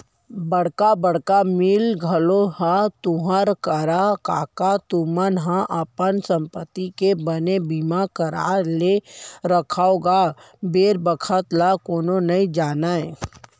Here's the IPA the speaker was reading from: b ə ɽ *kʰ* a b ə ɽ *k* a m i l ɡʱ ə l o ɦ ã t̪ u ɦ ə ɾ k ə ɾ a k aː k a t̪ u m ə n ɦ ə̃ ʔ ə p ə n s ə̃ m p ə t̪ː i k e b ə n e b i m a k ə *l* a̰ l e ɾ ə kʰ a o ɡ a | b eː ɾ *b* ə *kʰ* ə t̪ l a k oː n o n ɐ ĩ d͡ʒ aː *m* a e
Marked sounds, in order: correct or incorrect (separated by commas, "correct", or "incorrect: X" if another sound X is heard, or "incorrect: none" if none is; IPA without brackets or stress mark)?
incorrect: k, correct, incorrect: ɾ, correct, correct, incorrect: n